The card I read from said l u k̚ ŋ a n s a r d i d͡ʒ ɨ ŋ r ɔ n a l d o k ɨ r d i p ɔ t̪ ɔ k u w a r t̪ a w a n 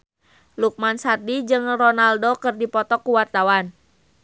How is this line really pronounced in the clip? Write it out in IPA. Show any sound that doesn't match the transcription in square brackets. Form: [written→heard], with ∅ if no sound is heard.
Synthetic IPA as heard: l u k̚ [ŋ→m] a n s a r d i d͡ʒ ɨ ŋ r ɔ n a l d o k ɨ r d i p ɔ t̪ ɔ k u w a r t̪ a w a n